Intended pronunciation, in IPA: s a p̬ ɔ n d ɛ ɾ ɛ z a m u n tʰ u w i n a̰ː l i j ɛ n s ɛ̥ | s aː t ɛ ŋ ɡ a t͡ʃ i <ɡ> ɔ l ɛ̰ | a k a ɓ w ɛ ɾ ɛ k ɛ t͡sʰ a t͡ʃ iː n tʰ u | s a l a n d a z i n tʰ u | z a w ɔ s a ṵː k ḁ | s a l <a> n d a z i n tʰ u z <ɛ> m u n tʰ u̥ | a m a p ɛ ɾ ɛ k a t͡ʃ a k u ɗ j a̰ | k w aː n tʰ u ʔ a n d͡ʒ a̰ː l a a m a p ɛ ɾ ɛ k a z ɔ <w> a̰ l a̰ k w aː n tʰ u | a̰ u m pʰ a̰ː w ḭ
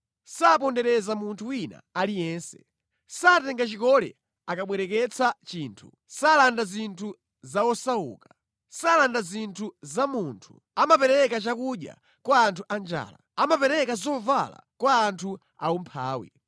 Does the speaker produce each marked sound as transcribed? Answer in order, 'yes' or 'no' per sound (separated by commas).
no, yes, no, no